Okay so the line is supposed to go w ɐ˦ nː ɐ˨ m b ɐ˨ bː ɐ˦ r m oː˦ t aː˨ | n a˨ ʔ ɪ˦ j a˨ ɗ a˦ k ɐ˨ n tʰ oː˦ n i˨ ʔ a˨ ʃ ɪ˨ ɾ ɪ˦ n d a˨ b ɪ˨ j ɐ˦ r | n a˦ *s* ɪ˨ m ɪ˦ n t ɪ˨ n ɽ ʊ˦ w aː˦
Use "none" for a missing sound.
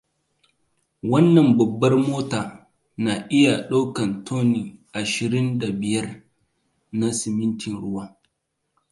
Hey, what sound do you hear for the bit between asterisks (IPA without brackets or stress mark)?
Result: s